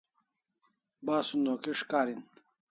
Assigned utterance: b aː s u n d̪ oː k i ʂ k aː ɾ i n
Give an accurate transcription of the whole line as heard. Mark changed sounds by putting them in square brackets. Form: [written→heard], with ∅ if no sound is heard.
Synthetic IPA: b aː s u n d̪ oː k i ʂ k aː ɾ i n